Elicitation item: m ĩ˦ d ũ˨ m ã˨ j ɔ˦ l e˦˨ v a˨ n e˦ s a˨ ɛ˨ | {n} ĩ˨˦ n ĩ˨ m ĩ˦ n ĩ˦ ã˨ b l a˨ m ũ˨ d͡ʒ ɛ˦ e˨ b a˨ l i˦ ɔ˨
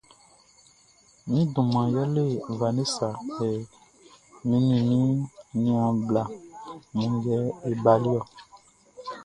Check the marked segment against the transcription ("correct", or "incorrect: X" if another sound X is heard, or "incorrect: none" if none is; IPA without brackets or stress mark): incorrect: m